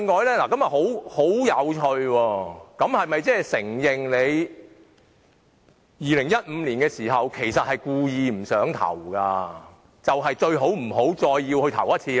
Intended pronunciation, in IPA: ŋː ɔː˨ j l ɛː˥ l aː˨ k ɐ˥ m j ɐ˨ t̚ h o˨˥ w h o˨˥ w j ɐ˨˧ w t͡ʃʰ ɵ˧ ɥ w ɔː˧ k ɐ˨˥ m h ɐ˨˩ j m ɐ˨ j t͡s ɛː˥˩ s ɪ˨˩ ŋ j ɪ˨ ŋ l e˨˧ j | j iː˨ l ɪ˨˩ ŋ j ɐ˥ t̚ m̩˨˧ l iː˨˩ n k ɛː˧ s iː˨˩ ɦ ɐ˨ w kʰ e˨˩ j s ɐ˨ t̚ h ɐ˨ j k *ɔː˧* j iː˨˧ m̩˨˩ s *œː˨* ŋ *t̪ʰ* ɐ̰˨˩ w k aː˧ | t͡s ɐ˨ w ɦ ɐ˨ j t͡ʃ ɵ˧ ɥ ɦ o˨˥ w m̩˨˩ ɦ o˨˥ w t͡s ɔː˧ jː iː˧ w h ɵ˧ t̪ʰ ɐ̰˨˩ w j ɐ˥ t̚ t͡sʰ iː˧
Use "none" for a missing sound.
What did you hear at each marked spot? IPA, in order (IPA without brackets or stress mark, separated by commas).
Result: uː˧, œː˨˥, t̪ʰ